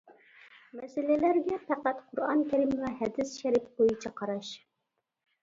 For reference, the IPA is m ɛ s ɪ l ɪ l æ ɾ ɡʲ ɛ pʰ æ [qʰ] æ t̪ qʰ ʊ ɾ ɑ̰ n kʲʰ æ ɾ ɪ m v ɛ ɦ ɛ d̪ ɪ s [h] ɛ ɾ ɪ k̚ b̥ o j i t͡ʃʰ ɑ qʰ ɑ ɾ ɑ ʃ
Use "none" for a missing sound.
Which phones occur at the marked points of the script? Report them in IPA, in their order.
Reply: q, ʃ

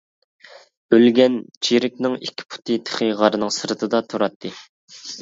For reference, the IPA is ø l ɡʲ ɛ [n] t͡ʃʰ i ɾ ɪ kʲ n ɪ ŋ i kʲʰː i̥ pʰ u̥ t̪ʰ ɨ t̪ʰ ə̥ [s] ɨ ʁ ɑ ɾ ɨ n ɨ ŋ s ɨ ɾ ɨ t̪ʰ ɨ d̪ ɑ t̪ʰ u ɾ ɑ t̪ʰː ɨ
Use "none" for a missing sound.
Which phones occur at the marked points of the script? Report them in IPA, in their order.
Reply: n, χ

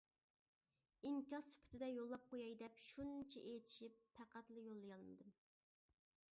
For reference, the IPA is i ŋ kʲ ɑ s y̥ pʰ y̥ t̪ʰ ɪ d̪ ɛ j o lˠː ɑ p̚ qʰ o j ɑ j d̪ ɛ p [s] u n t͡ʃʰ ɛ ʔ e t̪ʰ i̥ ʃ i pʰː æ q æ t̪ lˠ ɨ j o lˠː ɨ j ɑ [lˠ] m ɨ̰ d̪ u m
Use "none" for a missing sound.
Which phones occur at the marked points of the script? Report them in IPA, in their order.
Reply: ʃ, lˠ

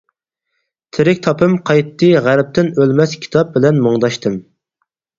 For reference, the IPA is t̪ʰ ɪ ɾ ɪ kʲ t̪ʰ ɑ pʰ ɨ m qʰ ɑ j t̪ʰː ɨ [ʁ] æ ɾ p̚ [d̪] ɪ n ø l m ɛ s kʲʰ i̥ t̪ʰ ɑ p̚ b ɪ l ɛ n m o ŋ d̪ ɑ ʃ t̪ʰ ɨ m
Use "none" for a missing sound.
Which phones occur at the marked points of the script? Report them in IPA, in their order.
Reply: ʁ, t̪

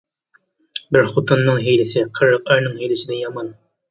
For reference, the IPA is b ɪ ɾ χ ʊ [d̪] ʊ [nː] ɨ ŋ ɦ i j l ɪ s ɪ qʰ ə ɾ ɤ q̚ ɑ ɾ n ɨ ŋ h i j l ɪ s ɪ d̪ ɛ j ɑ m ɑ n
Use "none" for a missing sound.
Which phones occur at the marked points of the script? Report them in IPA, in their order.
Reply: t̪, nː

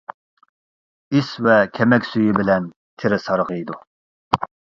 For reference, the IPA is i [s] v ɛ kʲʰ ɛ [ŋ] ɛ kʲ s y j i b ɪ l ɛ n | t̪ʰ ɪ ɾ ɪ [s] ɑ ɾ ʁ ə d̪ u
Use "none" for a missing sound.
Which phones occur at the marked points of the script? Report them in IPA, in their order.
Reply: s, m, s

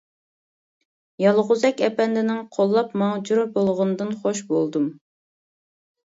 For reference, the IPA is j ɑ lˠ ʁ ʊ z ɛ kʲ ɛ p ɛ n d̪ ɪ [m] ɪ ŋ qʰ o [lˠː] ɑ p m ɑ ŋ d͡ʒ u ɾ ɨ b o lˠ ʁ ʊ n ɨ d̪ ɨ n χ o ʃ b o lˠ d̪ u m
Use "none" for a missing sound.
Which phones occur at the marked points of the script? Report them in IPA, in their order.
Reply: n, lˠː

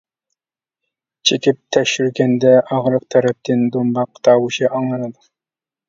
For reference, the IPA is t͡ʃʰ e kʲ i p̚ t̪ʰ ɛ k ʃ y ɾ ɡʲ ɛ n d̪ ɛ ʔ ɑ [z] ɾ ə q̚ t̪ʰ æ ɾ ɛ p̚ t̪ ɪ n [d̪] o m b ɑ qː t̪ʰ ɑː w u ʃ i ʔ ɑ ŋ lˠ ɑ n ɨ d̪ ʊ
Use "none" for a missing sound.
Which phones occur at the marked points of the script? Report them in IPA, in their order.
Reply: ʁ, d̪

